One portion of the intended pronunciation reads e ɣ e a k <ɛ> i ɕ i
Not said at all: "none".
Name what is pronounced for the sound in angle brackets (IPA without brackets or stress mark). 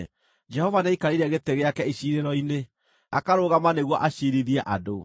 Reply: ɛ